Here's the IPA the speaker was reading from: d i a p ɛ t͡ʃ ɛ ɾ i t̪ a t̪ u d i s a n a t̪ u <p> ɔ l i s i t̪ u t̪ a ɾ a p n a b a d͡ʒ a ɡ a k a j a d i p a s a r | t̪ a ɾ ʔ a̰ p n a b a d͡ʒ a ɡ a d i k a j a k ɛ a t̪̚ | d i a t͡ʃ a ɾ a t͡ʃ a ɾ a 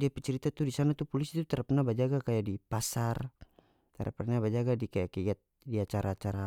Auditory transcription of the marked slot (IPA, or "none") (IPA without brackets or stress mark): p